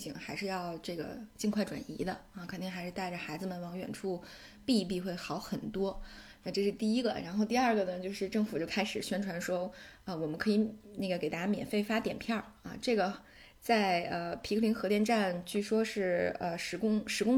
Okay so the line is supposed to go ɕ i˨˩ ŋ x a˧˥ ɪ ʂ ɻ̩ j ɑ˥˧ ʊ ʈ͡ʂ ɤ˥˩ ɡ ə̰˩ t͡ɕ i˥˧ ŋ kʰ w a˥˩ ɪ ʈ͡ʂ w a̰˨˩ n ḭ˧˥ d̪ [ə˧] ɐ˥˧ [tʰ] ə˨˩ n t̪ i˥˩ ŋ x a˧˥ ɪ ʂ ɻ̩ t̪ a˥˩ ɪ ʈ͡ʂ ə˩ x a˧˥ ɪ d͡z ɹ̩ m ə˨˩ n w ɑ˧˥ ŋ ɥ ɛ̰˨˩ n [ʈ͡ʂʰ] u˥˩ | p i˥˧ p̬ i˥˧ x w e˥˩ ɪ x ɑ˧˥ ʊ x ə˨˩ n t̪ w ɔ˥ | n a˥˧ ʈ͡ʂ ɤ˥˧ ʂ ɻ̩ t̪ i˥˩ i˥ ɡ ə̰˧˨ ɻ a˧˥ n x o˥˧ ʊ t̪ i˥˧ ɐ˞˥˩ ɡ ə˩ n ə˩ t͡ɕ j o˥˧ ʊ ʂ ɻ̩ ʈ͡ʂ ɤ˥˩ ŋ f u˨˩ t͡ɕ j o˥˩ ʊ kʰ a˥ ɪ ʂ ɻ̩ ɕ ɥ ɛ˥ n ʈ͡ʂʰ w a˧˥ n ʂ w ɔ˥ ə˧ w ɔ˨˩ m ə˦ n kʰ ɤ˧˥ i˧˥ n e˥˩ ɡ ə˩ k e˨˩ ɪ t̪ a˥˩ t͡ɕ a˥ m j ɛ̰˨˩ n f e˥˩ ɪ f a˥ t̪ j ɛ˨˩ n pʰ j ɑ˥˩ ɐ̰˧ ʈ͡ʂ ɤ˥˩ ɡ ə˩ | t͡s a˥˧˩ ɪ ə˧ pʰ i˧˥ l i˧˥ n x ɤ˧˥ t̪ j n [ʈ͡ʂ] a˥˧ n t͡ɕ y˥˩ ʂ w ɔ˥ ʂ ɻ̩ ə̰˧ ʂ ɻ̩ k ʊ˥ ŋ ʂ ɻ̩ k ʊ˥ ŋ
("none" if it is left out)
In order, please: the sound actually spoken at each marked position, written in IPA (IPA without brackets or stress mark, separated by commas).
ə˧, kʰ, ʈ͡ʂʰ, ʈ͡ʂ